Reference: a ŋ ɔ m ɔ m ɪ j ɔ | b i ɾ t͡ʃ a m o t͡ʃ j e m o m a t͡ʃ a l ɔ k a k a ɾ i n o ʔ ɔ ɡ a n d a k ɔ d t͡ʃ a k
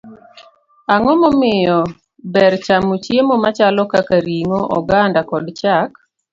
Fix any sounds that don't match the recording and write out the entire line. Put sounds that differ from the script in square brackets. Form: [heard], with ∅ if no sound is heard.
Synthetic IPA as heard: a ŋ ɔ m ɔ m ɪ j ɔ | b [ɛ] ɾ t͡ʃ a m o t͡ʃ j e m o m a t͡ʃ a l ɔ k a k a ɾ i [ŋ] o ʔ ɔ ɡ a n d a k ɔ d t͡ʃ a k

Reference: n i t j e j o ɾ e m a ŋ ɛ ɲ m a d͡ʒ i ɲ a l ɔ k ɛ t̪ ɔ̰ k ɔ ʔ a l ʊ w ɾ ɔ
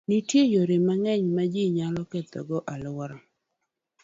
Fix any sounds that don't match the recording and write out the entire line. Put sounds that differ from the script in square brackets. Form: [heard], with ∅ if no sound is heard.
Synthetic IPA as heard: n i t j e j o ɾ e m a ŋ ɛ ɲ m a d͡ʒ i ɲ a l ɔ k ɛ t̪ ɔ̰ [ɡ] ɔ ʔ a l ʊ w ɾ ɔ

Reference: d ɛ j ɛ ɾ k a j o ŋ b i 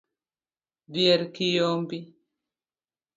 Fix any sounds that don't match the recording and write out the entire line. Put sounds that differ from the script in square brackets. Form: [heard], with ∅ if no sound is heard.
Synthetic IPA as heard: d [i] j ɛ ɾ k [i] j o [m] b i

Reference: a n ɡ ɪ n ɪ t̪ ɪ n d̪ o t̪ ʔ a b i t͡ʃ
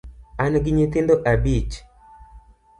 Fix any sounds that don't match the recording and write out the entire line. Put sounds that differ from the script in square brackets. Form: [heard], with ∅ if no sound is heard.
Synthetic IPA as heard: a n ɡ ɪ [ɲ] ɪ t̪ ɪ n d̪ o [∅] ʔ a b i t͡ʃ

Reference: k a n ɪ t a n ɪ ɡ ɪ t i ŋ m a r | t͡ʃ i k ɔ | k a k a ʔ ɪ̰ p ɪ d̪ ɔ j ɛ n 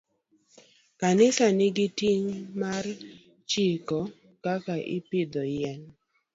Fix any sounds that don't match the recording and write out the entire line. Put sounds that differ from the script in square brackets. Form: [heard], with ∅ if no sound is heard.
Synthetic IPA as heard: k a n ɪ [s] a n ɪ ɡ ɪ t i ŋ m a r | t͡ʃ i k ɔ | k a k a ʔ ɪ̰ p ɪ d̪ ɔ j ɛ n

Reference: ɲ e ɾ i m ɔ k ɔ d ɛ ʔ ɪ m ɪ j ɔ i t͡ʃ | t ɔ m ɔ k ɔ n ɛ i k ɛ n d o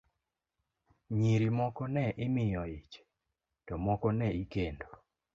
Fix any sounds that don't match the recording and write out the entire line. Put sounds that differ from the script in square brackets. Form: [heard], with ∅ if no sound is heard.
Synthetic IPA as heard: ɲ [i] ɾ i m ɔ k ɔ [n] ɛ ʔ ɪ m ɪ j ɔ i t͡ʃ | t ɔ m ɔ k ɔ n ɛ i k [e] n d o

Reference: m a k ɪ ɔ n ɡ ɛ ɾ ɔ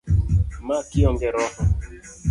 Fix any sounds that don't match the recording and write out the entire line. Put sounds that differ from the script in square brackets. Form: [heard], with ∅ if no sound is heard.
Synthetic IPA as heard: m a k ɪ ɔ [ŋ] ɡ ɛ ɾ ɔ

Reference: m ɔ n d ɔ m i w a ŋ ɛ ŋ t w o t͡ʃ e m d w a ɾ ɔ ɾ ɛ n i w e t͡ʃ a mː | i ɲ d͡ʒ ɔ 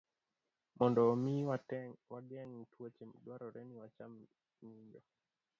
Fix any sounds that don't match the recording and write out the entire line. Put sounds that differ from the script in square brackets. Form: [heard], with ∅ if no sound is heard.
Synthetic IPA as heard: m ɔ n d ɔ m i w a [ɡ] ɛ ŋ t w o t͡ʃ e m d w a ɾ ɔ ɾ ɛ n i w [a] t͡ʃ a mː | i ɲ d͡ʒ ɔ

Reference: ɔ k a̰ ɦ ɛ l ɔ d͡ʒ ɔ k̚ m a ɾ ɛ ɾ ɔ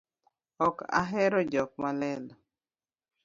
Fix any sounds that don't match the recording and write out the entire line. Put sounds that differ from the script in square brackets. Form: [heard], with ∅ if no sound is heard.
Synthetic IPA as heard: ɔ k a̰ ɦ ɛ [ɾ] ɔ d͡ʒ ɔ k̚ m a [l] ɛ [l] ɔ

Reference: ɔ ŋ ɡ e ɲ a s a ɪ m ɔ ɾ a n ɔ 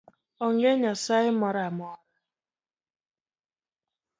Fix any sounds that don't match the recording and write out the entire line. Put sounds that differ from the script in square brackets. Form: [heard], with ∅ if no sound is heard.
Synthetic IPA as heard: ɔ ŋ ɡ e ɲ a s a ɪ m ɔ ɾ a [m] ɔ

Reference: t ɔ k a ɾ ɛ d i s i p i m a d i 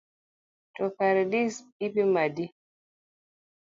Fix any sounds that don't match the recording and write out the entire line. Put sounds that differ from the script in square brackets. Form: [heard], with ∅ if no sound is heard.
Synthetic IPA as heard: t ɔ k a ɾ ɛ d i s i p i m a d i

